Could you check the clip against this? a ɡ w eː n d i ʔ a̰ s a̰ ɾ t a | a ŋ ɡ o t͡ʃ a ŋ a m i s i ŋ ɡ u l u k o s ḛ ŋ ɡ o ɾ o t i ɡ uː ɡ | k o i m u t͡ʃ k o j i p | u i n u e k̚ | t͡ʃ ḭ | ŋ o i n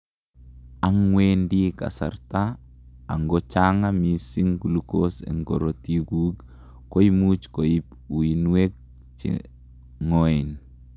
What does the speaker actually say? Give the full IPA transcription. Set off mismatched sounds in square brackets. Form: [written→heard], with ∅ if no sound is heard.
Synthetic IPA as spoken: a [ɡ→ŋ] w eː n d i [ʔ→k] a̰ s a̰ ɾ t a | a ŋ ɡ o t͡ʃ a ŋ a m i s i ŋ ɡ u l u k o s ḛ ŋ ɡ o ɾ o t i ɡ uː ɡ | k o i m u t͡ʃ k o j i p | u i n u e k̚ | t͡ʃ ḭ | ŋ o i n